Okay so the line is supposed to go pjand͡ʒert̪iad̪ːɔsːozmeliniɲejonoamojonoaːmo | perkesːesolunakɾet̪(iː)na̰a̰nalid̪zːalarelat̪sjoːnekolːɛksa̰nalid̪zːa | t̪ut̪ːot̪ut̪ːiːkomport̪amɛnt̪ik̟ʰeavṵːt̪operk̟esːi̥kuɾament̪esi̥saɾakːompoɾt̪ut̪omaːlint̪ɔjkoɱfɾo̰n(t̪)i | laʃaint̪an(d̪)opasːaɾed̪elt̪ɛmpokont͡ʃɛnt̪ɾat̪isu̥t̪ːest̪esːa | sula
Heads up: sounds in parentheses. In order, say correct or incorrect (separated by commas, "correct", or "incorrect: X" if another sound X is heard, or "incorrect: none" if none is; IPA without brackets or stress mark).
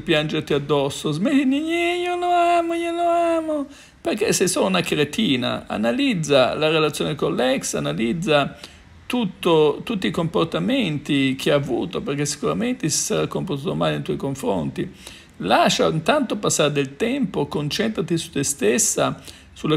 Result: correct, correct, incorrect: t̪